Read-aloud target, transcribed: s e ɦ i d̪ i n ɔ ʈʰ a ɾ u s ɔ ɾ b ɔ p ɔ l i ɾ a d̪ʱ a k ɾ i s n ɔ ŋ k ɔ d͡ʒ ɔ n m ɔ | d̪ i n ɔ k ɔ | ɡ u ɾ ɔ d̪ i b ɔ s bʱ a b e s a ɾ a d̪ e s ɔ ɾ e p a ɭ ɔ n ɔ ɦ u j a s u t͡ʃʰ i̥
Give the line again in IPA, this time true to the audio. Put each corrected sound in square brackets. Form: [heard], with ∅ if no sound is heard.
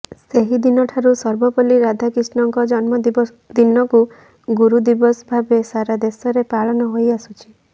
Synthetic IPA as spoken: s e ɦ i d̪ i n ɔ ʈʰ a ɾ u s ɔ ɾ b ɔ p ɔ l i ɾ a d̪ʱ a k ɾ i s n ɔ ŋ k ɔ d͡ʒ ɔ n m ɔ | d̪ i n ɔ k [u] | ɡ u ɾ [u] d̪ i b ɔ s bʱ a b e s a ɾ a d̪ e s ɔ ɾ e p a ɭ ɔ n ɔ ɦ [o] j a s u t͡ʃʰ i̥